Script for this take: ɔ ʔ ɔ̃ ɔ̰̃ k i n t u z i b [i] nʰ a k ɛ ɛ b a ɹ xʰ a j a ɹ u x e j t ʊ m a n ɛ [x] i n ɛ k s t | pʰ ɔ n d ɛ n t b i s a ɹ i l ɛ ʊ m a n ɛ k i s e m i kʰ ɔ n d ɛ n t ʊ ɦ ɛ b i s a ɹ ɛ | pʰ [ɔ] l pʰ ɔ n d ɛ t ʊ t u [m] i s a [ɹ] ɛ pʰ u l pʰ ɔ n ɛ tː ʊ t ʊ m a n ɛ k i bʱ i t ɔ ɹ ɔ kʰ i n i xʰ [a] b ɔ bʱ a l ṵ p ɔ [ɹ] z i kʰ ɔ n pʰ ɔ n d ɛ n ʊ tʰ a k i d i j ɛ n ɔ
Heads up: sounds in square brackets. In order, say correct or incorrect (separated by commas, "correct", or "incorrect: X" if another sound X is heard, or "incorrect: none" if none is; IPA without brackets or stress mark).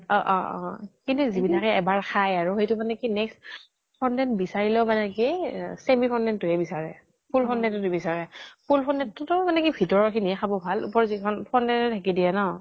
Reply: correct, incorrect: k, incorrect: u, incorrect: b, correct, correct, correct